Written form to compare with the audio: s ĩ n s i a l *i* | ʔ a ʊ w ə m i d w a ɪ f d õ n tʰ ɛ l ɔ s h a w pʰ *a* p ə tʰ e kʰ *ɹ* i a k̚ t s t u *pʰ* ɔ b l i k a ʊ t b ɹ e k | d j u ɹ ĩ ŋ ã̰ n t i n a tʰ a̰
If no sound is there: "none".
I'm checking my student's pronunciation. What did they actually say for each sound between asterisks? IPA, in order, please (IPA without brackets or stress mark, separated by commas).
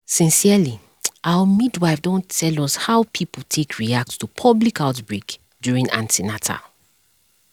i, i, ɹ, pʰ